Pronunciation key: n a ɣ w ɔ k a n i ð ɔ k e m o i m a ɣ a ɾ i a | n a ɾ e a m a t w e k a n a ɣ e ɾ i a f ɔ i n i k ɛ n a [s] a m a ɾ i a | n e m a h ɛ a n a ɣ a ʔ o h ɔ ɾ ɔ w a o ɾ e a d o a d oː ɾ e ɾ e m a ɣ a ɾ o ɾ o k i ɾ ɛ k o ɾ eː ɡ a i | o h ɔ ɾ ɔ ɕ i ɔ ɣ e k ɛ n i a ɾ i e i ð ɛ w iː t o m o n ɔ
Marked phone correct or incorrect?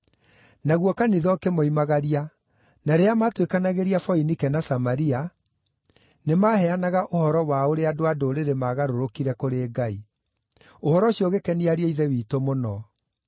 correct